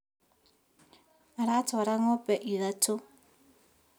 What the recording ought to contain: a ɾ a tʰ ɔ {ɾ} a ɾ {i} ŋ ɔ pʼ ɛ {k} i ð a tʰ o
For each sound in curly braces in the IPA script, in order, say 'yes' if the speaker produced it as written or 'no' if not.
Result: no, no, no

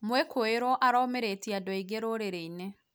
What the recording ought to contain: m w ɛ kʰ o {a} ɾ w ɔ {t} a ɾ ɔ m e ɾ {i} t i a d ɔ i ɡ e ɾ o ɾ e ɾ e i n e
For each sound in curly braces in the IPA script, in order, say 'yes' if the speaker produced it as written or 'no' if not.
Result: no, no, no

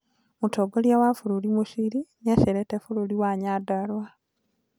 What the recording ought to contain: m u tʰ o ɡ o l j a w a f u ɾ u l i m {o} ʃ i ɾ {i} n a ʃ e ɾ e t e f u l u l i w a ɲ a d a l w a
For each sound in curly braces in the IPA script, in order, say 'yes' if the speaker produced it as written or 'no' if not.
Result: no, yes

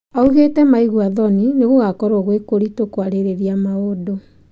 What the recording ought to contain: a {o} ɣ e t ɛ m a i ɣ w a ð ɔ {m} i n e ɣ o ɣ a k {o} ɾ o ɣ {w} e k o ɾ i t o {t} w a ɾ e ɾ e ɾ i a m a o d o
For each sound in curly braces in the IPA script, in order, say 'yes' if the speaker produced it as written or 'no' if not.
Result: no, no, no, yes, no

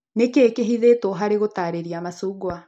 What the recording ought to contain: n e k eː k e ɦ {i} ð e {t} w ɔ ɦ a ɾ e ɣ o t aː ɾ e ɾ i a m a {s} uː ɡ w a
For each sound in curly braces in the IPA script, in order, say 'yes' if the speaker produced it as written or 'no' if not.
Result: yes, yes, yes

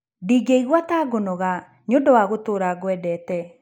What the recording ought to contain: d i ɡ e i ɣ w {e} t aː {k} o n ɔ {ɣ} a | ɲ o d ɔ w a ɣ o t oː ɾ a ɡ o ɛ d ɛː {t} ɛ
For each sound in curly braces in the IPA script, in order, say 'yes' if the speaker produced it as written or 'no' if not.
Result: no, no, yes, yes

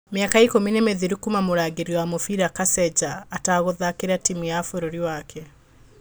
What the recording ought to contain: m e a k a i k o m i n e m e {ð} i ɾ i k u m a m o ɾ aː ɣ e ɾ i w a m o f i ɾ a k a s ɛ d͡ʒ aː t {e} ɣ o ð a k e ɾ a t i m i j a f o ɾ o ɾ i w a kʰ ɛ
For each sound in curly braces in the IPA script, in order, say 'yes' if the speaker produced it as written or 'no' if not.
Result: yes, no

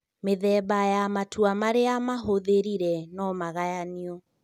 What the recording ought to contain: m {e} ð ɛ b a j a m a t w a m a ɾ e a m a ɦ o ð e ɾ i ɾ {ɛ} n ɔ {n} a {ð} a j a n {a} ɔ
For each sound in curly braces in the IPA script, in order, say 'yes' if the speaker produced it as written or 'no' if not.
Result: yes, yes, no, no, no

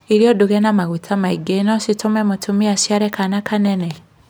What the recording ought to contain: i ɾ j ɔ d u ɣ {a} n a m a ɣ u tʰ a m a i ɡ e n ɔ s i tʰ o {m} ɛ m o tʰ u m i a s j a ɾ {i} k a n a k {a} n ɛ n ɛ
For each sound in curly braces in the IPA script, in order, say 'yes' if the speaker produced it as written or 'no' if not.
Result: no, yes, no, yes

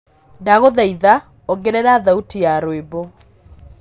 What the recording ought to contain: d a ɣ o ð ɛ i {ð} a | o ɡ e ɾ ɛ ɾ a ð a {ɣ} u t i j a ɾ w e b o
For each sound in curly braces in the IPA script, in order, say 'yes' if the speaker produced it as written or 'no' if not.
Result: yes, no

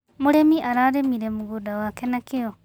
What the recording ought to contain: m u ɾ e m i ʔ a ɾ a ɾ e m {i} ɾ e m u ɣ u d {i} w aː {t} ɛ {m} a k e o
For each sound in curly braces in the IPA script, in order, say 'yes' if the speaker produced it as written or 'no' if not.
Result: yes, no, no, no

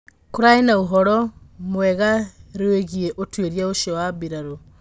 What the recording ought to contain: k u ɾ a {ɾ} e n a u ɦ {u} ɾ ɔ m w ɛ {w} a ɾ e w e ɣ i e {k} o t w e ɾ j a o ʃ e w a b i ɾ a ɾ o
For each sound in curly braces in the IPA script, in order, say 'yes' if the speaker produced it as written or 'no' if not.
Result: no, no, no, no

